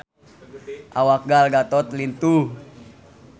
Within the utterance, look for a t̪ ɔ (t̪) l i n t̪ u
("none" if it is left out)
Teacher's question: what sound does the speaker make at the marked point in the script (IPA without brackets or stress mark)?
t̪